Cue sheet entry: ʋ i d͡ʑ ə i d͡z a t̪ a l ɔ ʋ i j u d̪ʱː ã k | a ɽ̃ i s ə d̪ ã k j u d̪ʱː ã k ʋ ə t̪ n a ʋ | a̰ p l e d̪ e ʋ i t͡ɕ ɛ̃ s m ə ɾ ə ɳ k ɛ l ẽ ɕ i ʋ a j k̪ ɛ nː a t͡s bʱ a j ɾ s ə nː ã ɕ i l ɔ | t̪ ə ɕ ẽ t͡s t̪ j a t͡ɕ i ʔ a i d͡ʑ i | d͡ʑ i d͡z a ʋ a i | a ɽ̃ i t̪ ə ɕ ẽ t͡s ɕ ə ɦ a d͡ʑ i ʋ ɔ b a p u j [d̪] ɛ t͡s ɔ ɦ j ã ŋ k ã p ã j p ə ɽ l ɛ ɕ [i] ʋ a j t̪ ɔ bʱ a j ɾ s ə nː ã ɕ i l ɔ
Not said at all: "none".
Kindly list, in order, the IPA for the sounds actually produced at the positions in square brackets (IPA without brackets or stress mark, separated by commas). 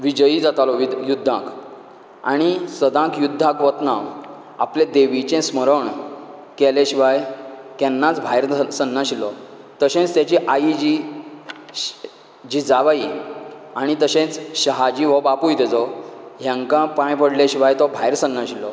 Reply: t̪, i